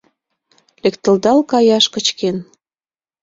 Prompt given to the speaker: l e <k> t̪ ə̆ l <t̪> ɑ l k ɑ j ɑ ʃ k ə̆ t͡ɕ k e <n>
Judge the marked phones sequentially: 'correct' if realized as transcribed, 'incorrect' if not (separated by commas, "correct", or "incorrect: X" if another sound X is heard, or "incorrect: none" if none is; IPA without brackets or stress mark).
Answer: correct, incorrect: d̪, correct